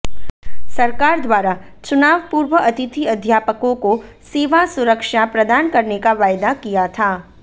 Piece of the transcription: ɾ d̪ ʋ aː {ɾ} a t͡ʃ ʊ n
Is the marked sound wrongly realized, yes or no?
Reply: no